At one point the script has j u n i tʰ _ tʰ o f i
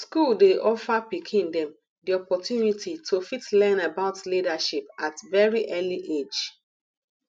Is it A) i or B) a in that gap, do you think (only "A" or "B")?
A